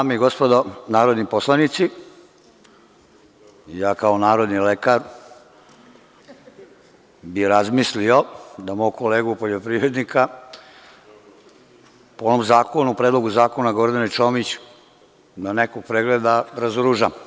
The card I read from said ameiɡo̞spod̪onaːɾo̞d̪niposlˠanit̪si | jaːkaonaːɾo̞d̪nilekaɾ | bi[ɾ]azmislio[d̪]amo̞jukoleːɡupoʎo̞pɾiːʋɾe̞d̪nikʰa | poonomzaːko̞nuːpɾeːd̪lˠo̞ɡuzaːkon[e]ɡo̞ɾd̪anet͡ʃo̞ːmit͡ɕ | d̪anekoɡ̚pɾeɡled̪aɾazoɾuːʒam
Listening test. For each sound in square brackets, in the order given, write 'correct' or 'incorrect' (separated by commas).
correct, correct, incorrect